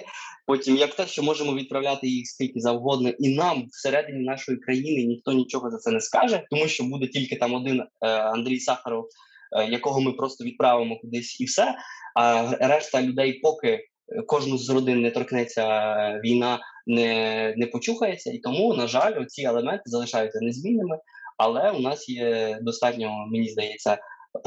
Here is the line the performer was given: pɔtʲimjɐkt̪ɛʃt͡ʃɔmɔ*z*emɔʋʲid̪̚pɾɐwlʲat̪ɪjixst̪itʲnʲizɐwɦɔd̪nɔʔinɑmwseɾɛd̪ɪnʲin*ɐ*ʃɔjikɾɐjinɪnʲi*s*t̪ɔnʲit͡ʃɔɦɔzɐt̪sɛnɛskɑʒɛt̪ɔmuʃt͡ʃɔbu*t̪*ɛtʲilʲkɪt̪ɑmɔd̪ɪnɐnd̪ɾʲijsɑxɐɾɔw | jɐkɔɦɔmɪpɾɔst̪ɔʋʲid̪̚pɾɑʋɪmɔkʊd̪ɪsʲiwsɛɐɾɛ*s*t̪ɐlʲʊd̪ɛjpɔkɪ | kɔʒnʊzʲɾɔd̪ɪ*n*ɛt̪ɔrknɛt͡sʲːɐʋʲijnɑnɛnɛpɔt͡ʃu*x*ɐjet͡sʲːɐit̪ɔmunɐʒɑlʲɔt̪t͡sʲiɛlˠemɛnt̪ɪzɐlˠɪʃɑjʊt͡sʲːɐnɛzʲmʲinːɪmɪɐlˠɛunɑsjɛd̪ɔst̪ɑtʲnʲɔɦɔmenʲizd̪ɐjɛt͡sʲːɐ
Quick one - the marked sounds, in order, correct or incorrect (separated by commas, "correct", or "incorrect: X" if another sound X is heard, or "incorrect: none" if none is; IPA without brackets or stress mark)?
incorrect: ʒ, incorrect: ɑ, incorrect: x, incorrect: d̪, incorrect: ʃ, incorrect: nː, correct